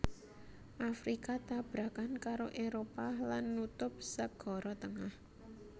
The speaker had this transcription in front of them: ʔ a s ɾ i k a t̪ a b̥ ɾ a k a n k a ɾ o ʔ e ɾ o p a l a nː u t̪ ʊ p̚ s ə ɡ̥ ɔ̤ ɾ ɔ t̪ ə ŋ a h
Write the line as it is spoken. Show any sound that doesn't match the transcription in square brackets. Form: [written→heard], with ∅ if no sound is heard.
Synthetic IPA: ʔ a [s→f] ɾ i k a t̪ a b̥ ɾ a k a n k a ɾ o ʔ e ɾ o p a l a nː u t̪ ʊ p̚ s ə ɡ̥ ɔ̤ ɾ ɔ t̪ ə ŋ a h